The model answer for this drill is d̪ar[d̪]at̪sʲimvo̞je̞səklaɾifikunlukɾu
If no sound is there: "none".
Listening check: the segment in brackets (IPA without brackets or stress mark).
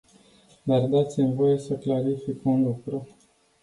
d̪